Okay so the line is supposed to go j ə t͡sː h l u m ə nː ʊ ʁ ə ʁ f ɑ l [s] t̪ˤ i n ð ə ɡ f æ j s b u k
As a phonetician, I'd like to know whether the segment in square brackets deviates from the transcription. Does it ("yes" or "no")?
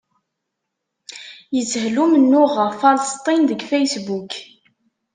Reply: no